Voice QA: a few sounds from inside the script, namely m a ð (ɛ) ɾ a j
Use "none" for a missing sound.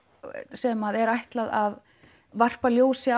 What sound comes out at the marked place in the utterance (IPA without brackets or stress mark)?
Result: ɛ